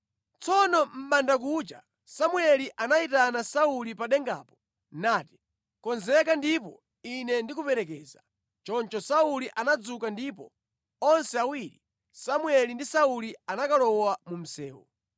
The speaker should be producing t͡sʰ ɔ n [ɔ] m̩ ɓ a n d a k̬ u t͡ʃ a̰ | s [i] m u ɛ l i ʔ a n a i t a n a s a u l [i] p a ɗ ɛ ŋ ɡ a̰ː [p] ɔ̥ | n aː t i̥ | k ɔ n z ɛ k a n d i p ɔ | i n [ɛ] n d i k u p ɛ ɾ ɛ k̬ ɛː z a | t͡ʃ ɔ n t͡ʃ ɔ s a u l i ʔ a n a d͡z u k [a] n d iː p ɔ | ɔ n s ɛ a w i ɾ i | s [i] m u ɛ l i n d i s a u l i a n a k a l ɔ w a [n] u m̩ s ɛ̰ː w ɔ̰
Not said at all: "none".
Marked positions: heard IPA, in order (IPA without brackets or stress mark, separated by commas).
ɔ, a, i, p, ɛ, a, a, m